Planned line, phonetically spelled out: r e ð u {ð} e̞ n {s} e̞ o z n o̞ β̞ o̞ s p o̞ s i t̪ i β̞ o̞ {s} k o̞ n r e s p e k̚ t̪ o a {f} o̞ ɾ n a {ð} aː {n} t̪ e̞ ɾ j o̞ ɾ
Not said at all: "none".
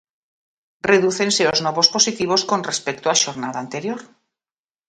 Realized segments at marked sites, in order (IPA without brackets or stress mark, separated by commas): θ, s, s, ʃ, ð, n